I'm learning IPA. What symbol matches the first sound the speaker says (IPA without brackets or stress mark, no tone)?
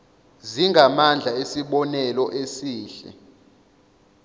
z